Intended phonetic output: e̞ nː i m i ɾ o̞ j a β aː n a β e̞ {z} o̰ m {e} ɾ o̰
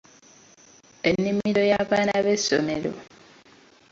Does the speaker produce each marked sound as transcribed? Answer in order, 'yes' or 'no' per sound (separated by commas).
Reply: no, yes